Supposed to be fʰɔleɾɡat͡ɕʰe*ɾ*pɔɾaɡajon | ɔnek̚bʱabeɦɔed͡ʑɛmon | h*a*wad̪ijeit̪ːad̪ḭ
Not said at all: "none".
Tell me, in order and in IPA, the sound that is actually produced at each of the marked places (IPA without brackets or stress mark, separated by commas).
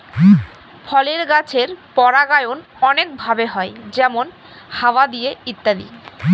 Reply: ɾ, a